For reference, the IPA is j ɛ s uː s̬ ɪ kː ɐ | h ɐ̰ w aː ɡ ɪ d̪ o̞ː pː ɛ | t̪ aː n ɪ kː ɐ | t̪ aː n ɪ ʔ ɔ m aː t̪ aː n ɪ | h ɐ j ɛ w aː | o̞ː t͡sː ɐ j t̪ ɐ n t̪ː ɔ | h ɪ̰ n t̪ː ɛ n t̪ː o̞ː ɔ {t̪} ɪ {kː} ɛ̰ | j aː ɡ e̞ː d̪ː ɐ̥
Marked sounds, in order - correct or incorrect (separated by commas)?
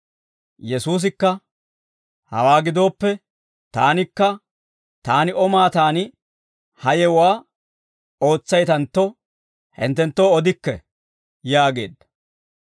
incorrect, correct